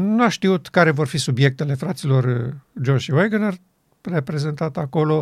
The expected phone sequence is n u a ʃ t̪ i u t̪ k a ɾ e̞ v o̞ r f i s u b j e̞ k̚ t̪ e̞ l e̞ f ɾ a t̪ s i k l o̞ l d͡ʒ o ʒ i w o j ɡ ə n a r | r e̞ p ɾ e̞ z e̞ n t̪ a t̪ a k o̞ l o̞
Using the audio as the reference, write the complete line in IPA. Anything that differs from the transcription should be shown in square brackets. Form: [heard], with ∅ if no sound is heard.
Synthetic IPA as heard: n u a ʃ t̪ i u t̪ k a ɾ e̞ v o̞ r f i s u b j e̞ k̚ t̪ e̞ l e̞ f ɾ a t̪ s i [∅] l o̞ [r] d͡ʒ o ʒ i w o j ɡ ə n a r | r e̞ p ɾ e̞ z e̞ n t̪ a t̪ a k o̞ l o̞